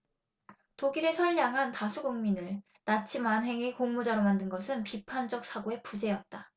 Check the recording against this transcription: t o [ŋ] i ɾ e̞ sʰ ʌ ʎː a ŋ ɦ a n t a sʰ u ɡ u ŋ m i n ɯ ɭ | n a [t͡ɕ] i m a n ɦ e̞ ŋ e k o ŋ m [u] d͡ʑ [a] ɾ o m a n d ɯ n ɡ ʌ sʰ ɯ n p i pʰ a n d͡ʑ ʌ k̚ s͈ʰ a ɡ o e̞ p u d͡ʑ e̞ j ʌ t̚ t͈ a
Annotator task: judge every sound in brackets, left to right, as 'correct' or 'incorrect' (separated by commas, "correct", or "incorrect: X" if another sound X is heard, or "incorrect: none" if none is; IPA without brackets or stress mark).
incorrect: ɡ, incorrect: t͡ɕʰ, correct, correct